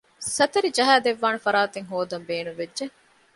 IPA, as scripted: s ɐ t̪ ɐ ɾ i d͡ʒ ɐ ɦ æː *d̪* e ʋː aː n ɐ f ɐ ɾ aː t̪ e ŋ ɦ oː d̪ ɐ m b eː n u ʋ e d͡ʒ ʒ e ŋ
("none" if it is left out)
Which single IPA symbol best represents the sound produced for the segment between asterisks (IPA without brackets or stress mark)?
d̪